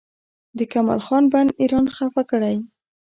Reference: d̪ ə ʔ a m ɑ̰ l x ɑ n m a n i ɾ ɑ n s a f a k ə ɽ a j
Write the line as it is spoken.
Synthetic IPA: d̪ ə k a m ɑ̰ l x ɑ n b a n i ɾ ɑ n x a f a k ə ɽ a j